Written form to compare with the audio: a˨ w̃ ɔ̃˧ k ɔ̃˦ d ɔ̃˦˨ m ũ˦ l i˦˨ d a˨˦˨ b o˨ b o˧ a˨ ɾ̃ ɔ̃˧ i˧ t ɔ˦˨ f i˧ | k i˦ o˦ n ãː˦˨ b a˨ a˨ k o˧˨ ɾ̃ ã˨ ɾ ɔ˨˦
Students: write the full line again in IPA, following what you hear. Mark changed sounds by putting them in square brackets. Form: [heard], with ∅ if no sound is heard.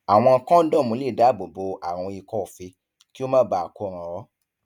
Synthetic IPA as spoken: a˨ w̃ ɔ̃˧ k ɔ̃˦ d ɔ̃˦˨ m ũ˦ l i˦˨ d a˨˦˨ b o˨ b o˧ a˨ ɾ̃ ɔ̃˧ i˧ [k] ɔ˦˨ f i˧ | k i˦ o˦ [m] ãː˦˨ b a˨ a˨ k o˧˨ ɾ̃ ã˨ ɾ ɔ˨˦